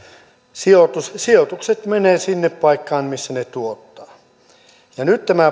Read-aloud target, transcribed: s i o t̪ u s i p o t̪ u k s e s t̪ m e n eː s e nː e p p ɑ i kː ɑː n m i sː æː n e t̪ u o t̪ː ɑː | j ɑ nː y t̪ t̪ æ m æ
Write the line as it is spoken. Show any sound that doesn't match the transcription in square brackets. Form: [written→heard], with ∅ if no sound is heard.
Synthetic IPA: s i o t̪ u s i [p→∅] o t̪ u k s e [s→∅] t̪ m e n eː s [e→i] nː e p p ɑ i kː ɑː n m i sː [æː→æ] n e t̪ u o t̪ː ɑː | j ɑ [nː→n] y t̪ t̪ æ m æ